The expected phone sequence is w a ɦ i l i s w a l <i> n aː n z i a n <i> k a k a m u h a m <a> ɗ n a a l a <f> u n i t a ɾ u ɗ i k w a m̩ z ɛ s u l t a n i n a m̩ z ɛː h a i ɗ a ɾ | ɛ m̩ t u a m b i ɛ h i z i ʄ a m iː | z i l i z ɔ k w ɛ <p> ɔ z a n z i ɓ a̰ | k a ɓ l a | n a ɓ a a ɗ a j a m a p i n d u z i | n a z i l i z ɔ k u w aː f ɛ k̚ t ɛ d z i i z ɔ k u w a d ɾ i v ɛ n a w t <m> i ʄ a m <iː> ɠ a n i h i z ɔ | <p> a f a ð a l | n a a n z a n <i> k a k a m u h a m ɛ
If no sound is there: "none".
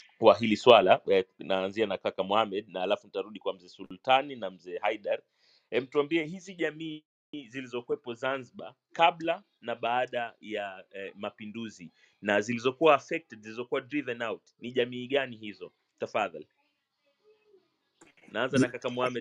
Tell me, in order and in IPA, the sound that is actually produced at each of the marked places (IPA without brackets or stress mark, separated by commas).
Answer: a, a, ɛ, f, p, n, iː, t, a